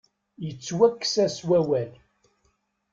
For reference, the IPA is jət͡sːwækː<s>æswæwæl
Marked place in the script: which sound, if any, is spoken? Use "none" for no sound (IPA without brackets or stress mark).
s